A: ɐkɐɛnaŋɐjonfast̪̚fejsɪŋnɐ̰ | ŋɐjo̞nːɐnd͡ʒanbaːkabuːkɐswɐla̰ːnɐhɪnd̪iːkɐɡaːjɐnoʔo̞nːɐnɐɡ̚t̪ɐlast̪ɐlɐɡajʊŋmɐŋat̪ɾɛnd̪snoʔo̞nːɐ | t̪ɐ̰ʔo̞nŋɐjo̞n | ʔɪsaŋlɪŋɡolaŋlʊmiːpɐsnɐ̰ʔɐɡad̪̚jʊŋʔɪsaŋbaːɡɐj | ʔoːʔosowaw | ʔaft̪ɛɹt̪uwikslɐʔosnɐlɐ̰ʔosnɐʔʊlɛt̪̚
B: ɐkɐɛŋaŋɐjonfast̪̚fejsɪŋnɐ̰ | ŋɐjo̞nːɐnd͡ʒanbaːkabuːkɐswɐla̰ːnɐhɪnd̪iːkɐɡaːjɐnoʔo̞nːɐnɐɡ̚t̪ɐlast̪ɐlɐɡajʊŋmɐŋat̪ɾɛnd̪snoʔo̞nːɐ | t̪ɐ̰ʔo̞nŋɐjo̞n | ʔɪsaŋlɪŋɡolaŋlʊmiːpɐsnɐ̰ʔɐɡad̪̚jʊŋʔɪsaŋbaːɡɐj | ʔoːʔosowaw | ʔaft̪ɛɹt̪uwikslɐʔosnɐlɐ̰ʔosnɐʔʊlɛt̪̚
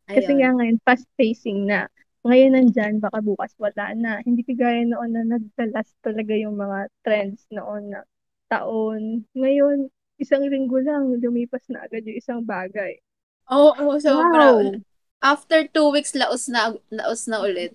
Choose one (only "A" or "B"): B